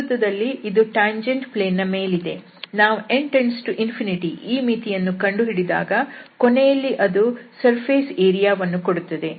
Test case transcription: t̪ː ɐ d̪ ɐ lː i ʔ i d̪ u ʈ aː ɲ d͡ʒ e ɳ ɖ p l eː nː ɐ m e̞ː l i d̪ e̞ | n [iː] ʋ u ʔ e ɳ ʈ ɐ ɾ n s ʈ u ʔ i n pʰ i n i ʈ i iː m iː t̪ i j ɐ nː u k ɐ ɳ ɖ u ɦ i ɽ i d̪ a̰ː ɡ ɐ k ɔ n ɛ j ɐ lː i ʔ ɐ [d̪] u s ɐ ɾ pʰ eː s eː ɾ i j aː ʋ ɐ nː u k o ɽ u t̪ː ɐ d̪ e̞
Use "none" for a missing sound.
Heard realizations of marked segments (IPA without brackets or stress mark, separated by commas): aː, d̪